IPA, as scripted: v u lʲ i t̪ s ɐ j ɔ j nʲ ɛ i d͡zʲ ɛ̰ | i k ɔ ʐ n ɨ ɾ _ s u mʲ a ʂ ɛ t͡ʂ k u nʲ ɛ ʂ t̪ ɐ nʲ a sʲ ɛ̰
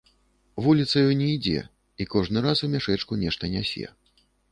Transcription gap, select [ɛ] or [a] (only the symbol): a